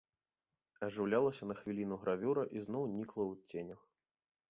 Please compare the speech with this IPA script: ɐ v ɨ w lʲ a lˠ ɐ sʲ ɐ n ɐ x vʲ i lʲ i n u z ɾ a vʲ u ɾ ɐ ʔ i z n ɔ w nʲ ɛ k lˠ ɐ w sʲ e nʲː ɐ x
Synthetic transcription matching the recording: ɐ ʐ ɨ w lʲ a lˠ ɐ sʲ ɐ n ɐ x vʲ i lʲ i n u ɣ ɾ a vʲ u ɾ ɐ ʔ i z n ɔ w nʲ i k lˠ ɐ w t͡sʲ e nʲ ɐ x